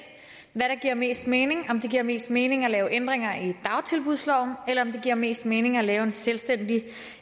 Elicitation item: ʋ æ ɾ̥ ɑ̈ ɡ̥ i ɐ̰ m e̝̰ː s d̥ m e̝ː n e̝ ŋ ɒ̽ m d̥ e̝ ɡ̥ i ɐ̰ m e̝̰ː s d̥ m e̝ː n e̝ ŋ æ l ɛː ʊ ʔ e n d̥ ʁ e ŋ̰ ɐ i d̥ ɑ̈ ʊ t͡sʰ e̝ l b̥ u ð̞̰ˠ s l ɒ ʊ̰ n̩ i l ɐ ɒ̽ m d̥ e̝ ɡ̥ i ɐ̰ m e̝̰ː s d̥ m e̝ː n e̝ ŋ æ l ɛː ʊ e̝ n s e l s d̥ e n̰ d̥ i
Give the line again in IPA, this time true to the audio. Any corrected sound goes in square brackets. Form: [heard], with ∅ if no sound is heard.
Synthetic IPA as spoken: ʋ æ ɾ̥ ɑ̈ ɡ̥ i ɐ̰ m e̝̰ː s d̥ m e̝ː n e̝ ŋ ɒ̽ m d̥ e̝ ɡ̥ i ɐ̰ m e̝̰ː s d̥ m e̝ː n e̝ ŋ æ l ɛː ʊ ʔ e n d̥ ʁ e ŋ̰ ɐ i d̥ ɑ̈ ʊ t͡sʰ e̝ l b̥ u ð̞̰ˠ s l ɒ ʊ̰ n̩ [e] l ɐ ɒ̽ m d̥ e̝ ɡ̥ i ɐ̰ m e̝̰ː s d̥ m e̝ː n e̝ ŋ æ l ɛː ʊ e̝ n s e l s d̥ e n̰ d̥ i